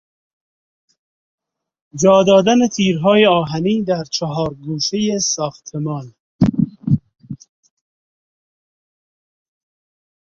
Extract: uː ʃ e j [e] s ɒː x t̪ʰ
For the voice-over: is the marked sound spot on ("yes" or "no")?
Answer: yes